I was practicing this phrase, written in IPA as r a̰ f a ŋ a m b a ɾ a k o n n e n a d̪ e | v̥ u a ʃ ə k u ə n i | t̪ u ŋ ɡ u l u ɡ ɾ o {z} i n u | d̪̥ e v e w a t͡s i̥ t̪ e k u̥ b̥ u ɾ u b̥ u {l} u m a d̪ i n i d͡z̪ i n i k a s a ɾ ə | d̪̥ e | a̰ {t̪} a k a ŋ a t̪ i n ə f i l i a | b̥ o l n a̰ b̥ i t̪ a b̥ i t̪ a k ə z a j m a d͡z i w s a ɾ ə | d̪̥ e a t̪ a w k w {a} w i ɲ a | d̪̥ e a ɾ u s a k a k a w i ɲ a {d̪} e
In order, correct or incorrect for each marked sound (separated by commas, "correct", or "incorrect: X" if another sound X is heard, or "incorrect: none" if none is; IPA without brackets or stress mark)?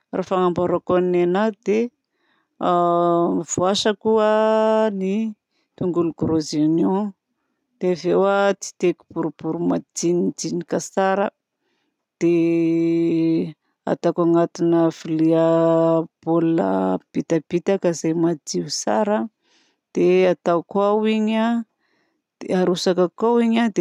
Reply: correct, incorrect: ɾ, correct, correct, correct